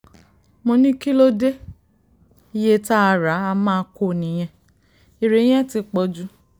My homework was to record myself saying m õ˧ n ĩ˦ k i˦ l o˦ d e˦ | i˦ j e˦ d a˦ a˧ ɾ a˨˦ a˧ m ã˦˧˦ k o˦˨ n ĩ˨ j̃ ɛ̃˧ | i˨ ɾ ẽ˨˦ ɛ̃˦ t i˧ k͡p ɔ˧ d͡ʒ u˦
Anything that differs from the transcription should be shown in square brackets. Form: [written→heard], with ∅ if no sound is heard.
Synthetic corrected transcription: m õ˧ n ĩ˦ k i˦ l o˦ d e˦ | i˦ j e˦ [d→t] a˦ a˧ ɾ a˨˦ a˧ m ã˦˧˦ k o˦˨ n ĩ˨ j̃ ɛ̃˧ | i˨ ɾ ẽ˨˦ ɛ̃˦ t i˧ k͡p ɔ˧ d͡ʒ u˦